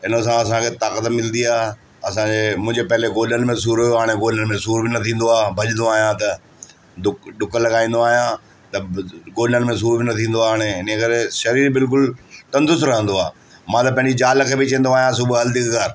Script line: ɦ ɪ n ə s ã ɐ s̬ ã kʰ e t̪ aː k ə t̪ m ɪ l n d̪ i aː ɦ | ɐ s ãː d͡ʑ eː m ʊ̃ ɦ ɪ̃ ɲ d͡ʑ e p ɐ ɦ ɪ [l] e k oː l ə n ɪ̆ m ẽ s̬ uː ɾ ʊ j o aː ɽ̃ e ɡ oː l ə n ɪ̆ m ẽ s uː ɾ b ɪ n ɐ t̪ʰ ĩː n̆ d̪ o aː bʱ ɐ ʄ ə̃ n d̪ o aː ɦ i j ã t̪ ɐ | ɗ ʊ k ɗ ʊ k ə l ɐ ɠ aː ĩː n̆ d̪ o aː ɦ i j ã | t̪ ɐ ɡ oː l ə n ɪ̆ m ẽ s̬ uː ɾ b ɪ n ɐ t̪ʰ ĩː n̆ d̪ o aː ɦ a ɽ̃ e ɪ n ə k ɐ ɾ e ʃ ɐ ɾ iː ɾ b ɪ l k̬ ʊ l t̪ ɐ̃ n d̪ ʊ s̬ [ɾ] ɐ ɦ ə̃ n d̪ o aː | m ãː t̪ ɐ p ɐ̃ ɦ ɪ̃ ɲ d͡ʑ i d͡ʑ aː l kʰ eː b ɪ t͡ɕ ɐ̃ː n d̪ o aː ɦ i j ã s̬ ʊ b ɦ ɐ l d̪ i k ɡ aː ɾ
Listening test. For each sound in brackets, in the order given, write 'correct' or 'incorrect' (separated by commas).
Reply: correct, correct